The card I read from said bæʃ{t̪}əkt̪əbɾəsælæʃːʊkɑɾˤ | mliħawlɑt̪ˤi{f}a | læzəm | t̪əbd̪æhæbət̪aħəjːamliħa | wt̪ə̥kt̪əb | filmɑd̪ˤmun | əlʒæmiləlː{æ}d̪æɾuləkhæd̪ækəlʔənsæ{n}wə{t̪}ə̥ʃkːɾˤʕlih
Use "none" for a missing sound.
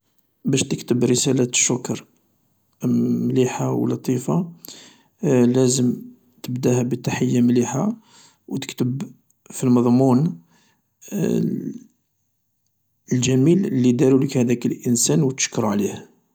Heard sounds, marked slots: t̪, f, i, n, t̪

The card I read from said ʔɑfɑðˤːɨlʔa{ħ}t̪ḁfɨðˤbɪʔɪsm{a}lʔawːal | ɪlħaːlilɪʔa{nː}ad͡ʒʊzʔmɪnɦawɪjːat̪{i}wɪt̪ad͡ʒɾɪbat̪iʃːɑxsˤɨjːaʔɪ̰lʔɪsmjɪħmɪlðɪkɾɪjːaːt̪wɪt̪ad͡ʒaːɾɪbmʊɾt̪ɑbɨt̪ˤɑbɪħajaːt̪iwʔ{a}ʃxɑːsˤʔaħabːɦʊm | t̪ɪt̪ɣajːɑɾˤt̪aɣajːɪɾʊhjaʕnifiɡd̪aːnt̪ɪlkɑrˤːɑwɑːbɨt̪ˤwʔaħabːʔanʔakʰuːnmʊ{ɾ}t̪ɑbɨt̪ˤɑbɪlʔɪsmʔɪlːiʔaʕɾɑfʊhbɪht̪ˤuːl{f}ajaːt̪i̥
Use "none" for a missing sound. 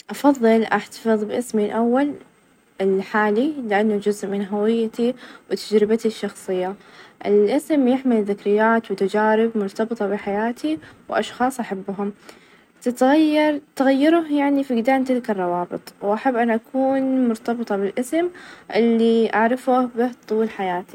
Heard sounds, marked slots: ħ, i, nː, i, ɑ, ɾ, ħ

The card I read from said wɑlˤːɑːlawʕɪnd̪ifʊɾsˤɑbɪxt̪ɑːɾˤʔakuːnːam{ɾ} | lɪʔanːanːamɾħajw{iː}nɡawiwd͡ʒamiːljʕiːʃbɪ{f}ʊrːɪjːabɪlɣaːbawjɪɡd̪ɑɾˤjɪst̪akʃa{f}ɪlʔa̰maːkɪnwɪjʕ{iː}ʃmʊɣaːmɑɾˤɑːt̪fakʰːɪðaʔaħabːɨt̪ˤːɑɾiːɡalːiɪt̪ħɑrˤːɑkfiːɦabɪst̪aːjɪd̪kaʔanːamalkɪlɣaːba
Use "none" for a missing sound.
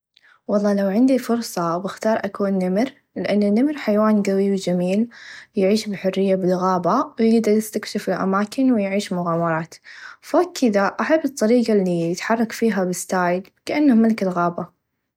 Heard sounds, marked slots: ɾ, aː, ħ, f, iː

